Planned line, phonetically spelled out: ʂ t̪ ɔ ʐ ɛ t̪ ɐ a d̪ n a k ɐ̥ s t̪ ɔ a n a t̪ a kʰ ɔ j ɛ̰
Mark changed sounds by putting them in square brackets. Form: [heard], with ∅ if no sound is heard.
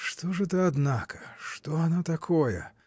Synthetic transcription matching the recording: ʂ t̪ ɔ ʐ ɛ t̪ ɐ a d̪ n a k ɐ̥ [ʂ] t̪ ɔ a n a t̪ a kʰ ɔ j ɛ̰